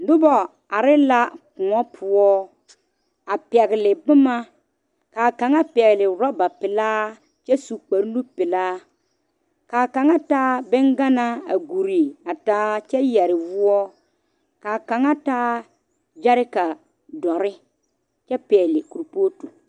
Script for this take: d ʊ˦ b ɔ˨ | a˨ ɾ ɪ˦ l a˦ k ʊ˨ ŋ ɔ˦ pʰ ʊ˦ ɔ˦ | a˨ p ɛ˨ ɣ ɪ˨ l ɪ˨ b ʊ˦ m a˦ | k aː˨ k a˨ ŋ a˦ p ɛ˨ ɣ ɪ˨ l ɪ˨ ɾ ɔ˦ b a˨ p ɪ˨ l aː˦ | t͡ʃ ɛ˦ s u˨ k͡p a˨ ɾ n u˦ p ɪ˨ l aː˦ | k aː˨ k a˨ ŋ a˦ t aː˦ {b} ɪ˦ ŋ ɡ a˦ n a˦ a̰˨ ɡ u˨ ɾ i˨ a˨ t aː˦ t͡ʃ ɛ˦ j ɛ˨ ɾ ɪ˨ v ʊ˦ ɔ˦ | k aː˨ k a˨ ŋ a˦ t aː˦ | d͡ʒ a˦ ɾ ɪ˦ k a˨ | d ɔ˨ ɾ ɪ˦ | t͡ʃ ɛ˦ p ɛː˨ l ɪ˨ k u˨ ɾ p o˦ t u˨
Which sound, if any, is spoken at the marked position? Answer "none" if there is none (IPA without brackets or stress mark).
b